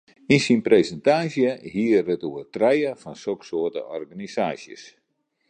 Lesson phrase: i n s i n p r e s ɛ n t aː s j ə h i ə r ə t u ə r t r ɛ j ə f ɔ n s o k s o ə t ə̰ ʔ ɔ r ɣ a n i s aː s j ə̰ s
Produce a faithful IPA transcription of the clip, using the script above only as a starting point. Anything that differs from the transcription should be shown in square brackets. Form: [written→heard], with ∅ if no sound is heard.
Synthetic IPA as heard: i n s i n p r e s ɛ n t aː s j ə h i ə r ə t u ə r t r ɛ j ə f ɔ n s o k s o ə t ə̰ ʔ ɔ r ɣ a n i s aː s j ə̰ s